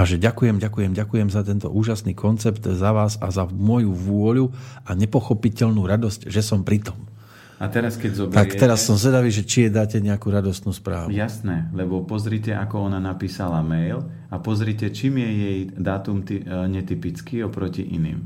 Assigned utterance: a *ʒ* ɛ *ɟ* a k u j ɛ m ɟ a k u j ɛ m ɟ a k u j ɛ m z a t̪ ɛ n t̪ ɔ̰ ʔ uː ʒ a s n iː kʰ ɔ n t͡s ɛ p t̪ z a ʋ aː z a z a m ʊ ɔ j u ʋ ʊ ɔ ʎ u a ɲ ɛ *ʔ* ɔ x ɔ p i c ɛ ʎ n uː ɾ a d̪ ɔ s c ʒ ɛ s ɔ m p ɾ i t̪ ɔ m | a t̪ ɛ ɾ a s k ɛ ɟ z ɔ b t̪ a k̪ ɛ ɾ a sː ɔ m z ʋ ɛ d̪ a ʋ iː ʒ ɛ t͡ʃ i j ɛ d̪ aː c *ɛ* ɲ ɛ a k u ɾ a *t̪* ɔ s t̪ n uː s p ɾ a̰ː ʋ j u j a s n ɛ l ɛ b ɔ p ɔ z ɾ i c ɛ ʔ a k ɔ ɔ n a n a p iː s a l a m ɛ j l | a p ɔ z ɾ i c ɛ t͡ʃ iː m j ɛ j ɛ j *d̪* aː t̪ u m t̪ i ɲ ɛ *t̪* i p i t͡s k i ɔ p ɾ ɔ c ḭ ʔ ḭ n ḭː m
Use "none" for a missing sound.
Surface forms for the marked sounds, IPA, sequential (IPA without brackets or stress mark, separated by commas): ʒ, ɟ, p, ɛ, d̪, d̪, t̪